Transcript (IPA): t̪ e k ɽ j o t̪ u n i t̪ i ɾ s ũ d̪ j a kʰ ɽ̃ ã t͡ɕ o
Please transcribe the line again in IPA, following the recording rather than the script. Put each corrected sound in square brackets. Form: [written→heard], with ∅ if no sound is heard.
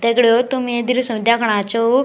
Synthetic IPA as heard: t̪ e k ɽ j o t̪ u [n→m] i [t̪→d̪] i ɾ s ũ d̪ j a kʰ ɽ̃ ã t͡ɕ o